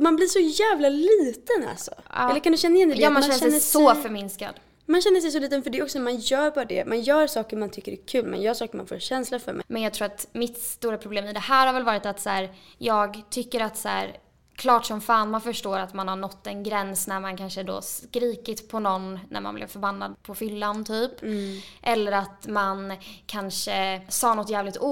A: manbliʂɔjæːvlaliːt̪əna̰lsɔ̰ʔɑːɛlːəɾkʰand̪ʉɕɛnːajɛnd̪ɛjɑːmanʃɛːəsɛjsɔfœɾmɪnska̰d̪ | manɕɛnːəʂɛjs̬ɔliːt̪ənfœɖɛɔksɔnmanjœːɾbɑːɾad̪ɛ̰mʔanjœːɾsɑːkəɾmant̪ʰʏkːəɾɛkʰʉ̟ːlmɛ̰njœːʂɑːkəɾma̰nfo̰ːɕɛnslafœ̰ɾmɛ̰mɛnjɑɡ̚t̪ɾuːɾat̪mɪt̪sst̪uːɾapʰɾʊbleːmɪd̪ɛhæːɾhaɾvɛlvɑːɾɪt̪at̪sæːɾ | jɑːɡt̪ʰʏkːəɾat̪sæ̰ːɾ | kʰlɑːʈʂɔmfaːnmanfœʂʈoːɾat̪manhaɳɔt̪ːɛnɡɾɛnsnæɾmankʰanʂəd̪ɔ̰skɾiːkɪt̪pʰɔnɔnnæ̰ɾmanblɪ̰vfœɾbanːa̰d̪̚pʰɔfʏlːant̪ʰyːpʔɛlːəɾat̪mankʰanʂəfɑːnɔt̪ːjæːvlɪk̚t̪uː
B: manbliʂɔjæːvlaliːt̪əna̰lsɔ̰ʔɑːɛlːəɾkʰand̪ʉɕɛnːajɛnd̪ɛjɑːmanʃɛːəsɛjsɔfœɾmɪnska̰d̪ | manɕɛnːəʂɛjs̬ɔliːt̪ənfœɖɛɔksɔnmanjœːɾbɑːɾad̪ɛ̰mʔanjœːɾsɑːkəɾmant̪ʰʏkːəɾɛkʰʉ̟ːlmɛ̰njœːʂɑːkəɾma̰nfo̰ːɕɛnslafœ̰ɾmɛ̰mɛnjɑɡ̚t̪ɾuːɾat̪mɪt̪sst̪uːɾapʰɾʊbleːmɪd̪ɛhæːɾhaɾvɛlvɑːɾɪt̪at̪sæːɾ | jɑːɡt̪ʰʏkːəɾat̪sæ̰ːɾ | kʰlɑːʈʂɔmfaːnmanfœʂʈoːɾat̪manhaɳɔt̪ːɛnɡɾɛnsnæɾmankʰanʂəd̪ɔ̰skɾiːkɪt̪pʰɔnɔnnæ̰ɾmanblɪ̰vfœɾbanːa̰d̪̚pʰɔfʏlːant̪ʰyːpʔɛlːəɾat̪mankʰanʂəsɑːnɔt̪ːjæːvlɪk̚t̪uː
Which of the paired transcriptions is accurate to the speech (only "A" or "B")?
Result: B